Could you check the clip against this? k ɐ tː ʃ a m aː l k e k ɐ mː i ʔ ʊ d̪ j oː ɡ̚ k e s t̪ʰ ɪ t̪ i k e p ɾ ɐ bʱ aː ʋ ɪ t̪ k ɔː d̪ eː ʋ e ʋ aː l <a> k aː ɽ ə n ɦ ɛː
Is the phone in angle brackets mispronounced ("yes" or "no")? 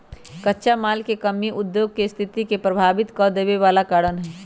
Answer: no